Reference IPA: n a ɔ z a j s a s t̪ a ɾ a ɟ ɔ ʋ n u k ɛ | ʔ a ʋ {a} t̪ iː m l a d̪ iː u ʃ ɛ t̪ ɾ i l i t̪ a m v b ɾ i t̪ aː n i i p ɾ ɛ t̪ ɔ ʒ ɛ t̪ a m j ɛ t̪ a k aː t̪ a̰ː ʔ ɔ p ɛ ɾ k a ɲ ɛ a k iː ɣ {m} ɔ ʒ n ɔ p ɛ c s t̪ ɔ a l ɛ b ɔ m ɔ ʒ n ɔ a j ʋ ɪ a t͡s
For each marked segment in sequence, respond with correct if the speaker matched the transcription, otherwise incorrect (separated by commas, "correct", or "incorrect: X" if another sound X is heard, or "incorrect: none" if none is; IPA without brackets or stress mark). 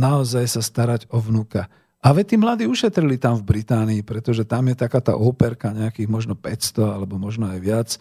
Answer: incorrect: ɛ, correct